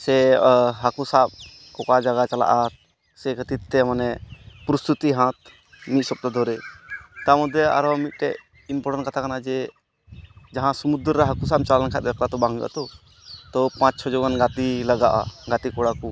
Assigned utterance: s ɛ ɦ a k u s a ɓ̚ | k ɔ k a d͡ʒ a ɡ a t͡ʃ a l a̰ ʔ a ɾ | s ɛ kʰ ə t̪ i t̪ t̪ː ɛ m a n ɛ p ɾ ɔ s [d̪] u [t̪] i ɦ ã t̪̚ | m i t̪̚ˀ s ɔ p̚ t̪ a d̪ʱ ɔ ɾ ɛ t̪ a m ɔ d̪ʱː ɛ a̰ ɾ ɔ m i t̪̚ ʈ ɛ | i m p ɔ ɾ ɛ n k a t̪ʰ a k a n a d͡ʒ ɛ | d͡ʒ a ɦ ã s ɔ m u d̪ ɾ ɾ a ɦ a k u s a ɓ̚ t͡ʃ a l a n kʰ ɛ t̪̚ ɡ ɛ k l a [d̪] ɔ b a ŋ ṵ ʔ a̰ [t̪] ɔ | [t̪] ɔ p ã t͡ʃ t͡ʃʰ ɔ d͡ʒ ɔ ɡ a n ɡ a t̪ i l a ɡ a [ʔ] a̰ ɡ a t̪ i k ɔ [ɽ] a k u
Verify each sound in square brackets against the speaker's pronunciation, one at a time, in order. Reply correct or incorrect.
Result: incorrect, correct, incorrect, correct, correct, correct, correct

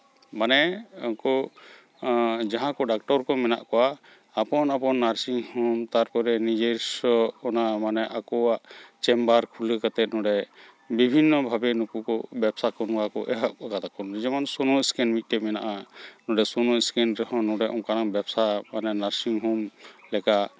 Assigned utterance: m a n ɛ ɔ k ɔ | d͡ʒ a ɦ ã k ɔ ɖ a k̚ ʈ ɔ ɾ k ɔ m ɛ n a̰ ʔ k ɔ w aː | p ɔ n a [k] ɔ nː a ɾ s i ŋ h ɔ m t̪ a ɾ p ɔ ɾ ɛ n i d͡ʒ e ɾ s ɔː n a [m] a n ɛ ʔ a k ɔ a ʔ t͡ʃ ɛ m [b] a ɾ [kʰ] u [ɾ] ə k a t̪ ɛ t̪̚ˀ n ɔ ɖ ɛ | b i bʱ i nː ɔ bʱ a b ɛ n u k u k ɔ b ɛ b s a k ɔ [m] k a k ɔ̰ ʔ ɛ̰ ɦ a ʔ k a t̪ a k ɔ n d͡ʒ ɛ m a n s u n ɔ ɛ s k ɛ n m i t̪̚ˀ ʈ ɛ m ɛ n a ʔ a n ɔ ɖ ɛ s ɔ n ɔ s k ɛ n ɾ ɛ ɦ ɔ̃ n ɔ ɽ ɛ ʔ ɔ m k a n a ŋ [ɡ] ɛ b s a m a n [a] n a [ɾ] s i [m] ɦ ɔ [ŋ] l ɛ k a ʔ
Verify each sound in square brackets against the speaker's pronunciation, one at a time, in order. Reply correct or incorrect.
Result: incorrect, correct, correct, correct, incorrect, incorrect, incorrect, incorrect, correct, incorrect, incorrect

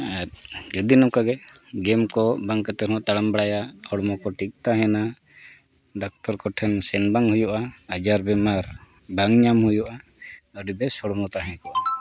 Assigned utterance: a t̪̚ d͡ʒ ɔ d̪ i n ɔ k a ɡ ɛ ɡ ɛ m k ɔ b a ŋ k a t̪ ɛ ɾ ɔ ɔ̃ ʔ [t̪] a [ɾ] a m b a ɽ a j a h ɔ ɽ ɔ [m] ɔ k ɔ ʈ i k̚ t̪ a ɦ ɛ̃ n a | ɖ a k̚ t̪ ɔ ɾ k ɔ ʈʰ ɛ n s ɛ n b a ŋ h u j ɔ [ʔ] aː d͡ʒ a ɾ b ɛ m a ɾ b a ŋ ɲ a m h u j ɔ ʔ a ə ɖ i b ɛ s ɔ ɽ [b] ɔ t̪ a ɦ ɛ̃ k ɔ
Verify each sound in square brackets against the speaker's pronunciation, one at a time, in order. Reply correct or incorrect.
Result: correct, incorrect, correct, correct, incorrect

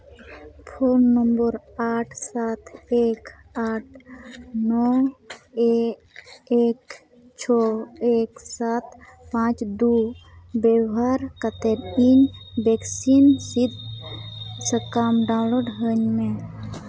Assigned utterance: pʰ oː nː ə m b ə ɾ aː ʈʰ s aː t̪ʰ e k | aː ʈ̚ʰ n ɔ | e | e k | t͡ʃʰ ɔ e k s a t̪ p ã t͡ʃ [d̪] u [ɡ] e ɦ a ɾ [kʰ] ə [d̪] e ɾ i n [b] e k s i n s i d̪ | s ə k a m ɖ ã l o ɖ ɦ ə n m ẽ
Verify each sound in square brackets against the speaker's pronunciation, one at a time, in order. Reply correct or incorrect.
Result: correct, incorrect, incorrect, incorrect, correct

